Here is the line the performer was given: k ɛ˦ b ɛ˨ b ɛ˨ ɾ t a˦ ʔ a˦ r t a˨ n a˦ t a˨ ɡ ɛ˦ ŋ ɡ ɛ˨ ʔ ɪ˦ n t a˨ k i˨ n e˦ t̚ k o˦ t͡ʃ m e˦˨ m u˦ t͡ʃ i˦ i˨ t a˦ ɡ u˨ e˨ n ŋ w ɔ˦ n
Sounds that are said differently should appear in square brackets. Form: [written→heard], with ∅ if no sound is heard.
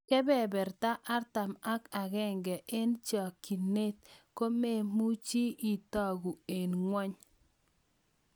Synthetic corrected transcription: k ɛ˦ b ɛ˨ b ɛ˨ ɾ t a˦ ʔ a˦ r t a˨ [n→m] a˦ [t→k] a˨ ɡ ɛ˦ ŋ ɡ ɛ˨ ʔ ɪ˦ n [t→t͡ʃ] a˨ k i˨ n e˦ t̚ k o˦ [t͡ʃ→∅] m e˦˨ m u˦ t͡ʃ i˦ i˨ t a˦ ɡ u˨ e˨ n ŋ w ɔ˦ [n→ɲ]